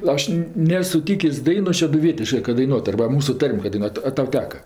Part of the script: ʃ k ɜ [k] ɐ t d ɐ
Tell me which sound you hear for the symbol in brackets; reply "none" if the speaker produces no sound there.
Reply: k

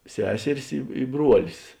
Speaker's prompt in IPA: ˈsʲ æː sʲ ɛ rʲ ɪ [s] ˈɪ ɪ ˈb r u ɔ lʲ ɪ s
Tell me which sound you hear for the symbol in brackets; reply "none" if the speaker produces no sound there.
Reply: s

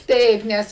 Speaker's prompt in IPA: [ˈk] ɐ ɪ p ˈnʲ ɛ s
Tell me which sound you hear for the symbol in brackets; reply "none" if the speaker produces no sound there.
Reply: t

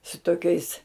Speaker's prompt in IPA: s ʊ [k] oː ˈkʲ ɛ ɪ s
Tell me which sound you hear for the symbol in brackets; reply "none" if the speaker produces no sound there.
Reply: t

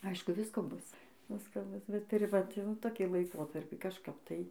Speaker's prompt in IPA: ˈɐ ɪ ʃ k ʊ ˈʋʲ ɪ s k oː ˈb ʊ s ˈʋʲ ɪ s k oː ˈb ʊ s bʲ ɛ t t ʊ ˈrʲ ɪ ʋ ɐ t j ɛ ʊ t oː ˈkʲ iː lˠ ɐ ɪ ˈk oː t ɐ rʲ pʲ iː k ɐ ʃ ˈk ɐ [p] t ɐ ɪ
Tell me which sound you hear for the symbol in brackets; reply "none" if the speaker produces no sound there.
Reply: p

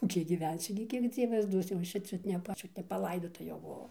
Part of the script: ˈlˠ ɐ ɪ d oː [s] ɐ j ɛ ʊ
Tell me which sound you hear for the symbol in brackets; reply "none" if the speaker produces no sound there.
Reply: t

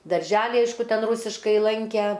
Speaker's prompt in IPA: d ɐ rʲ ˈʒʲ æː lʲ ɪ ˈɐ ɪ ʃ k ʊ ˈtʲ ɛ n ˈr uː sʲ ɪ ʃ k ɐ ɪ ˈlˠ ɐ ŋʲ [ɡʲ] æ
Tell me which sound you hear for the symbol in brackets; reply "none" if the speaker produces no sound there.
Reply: kʲ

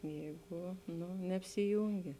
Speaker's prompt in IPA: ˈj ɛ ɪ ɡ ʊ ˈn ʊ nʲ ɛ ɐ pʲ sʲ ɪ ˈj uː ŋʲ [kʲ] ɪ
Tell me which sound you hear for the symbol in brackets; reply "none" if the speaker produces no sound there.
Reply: ɡʲ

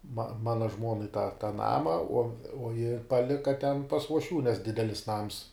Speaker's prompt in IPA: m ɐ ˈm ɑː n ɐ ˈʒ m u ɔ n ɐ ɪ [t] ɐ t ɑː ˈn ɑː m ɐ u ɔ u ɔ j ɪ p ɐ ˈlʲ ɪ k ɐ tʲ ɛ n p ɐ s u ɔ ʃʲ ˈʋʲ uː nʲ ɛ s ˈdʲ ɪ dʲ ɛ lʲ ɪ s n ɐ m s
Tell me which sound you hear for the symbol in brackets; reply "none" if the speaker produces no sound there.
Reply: t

